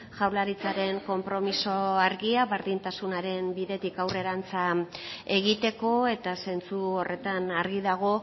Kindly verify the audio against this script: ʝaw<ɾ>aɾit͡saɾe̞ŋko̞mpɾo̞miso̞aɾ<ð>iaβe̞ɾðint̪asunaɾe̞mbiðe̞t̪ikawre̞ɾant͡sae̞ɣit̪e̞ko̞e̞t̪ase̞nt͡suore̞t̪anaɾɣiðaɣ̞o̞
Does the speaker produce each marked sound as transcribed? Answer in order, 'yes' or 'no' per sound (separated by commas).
no, no